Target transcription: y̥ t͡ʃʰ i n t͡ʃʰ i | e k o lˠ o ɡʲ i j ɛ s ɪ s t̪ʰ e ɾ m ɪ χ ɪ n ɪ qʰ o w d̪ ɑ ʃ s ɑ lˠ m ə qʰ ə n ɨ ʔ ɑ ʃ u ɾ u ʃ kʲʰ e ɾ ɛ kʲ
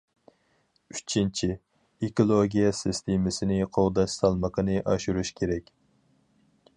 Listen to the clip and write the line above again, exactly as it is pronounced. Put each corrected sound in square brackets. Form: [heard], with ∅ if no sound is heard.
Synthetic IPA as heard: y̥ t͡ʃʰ i n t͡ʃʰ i | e k o lˠ o ɡʲ i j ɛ s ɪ s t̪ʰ e [∅] m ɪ [s] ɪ n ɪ qʰ o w d̪ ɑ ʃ s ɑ lˠ m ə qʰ ə n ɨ ʔ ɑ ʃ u ɾ u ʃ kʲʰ e ɾ ɛ kʲ